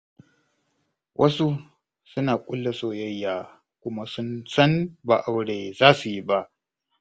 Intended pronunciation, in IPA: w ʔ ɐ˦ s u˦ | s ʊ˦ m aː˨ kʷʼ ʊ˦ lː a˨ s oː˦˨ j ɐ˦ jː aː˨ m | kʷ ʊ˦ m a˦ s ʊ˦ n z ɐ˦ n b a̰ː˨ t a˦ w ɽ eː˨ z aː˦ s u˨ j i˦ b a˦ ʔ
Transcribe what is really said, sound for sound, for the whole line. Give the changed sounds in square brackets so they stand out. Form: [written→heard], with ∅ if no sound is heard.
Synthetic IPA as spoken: w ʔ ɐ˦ s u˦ | s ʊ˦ [m→n] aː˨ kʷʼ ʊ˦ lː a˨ s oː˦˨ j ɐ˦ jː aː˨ [m→∅] | kʷ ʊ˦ m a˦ s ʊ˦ n [z→s] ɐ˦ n b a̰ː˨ [t→ʔ] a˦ w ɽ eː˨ z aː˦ s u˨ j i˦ b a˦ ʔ